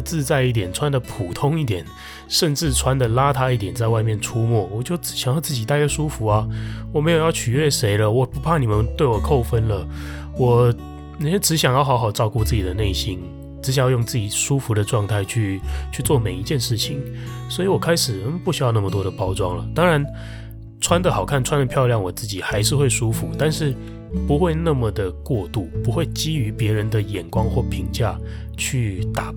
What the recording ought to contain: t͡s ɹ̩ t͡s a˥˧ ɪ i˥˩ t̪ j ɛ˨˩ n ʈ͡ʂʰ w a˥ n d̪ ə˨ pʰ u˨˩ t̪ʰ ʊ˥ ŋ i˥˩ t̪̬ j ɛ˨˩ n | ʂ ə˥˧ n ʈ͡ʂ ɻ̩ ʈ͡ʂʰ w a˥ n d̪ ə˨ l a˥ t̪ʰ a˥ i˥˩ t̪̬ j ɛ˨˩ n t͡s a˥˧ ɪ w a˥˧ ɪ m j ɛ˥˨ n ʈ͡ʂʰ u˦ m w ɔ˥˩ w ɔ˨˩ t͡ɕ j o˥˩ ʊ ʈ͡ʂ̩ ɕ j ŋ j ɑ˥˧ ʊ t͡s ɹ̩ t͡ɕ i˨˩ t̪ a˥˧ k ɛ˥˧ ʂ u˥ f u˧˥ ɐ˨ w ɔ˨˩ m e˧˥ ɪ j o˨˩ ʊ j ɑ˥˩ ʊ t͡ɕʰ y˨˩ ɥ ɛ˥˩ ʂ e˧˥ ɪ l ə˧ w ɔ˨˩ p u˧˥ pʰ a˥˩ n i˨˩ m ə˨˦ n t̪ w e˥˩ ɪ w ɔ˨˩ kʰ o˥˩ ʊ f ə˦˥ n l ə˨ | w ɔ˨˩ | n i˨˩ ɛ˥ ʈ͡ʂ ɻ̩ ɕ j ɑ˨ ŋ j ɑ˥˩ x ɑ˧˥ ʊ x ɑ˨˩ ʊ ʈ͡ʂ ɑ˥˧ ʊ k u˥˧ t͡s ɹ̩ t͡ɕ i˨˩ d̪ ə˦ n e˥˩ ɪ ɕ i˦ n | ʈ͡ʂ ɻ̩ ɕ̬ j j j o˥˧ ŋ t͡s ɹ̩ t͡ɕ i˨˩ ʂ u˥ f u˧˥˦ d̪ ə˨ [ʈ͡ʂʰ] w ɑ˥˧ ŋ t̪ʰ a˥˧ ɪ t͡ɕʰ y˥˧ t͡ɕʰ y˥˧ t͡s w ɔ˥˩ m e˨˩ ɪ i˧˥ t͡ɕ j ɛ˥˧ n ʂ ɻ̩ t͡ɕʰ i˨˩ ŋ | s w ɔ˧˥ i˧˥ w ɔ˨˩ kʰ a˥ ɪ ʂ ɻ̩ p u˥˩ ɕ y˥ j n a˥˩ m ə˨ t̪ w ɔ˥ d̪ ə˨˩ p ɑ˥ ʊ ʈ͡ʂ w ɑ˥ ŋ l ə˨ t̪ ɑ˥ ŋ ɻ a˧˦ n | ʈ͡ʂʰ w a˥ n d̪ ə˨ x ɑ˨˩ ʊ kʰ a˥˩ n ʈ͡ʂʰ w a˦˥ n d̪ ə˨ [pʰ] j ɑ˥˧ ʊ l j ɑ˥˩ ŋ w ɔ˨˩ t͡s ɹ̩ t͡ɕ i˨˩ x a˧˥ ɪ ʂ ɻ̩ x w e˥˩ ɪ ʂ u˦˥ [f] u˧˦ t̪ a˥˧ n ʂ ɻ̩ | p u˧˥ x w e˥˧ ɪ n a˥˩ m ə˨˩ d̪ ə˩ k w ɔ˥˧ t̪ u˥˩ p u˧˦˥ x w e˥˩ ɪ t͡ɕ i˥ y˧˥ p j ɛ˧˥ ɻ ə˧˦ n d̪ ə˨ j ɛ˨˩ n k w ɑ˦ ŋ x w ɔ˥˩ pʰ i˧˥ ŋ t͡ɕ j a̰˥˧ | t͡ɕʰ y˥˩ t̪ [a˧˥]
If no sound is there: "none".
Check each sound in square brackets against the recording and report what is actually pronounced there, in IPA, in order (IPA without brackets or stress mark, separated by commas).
ʈ͡ʂ, pʰ, f, a˨˩